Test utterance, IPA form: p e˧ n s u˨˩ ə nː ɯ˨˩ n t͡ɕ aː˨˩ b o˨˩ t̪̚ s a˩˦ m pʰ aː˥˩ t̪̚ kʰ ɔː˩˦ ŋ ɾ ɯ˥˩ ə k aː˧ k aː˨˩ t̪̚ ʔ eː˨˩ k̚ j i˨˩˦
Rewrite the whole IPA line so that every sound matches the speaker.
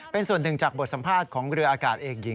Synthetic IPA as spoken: p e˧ n s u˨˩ ə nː ɯ˨˩ ŋ t͡ɕ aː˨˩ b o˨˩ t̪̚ s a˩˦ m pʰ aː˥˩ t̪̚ kʰ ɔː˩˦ ŋ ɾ ɯ˧ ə ʔ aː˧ k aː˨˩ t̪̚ ʔ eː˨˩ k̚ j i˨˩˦